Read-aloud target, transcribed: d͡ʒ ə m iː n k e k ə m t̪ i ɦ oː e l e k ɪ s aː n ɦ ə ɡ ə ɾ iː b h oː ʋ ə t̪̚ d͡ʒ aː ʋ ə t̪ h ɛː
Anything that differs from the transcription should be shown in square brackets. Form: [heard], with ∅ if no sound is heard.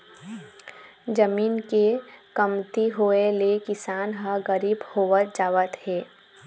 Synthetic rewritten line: d͡ʒ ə m iː n k e k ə m t̪ i ɦ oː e l e k ɪ s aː n ɦ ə ɡ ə ɾ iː b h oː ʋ ə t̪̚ d͡ʒ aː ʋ ə t̪ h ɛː